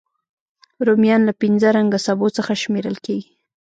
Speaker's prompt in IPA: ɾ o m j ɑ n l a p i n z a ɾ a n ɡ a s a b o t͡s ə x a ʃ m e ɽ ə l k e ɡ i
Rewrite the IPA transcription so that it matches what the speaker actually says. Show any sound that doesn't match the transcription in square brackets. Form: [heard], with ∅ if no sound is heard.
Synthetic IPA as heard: ɾ o m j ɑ n l a p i n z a ɾ a [ŋ] ɡ a s a b o t͡s ə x a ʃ m e [ɾ] ə l k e ɡ i